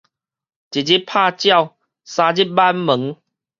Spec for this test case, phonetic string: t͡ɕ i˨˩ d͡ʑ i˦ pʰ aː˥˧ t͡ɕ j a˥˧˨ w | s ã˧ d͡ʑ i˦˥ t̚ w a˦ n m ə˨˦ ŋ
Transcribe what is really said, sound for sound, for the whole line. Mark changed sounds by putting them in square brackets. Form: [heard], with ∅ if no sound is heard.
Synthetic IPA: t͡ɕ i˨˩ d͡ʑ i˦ pʰ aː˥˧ t͡ɕ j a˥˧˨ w | s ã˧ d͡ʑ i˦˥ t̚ [b] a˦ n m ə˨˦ ŋ

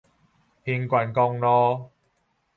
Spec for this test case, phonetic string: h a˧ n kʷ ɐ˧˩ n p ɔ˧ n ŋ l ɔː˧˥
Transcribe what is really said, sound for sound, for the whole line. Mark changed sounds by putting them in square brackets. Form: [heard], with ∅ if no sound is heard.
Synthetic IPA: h [i˧] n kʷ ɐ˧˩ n [k] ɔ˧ [∅] ŋ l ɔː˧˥

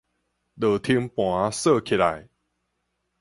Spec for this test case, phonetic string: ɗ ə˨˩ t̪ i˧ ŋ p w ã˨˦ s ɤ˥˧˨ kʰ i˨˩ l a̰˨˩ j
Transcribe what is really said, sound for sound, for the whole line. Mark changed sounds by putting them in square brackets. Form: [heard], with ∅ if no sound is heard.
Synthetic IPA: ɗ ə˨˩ [t̪ʰ] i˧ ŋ p w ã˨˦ s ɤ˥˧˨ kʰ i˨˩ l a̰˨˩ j

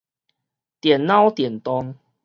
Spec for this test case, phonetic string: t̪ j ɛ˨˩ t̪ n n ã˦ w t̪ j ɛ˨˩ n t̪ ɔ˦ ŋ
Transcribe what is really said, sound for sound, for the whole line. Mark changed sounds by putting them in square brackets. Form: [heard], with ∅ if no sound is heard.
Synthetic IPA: t̪ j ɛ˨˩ [∅] n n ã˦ w t̪ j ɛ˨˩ n t̪ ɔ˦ ŋ

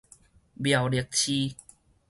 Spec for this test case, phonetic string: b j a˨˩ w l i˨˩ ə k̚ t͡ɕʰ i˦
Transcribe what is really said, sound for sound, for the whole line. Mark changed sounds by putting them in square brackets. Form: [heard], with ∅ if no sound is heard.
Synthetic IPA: b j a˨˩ w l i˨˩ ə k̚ t͡ɕʰ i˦

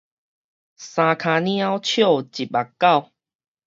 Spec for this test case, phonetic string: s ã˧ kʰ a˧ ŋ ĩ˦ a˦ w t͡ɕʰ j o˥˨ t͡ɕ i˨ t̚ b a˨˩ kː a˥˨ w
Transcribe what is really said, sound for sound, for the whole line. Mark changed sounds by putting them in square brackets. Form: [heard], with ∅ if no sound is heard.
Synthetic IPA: s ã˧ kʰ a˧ [n] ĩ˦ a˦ w t͡ɕʰ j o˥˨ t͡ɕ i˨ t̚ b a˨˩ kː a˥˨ w

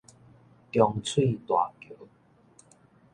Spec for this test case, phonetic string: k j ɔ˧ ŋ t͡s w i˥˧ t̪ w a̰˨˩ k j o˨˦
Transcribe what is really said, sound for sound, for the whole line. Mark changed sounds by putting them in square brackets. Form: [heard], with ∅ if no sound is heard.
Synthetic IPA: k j ɔ˧ ŋ [t͡sʰ] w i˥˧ t̪ w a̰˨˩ k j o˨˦

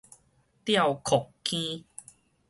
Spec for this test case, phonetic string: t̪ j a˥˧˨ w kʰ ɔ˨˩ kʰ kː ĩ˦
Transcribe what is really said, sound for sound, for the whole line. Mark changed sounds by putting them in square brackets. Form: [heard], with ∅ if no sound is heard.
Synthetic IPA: t̪ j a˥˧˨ w kʰ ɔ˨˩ [k] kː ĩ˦

